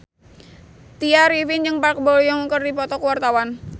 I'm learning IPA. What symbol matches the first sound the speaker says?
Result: t̪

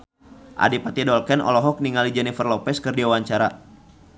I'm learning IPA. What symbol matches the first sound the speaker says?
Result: ʔ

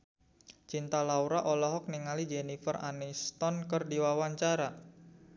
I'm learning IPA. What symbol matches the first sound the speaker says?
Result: t͡ʃ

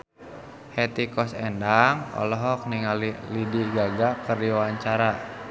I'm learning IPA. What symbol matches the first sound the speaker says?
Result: h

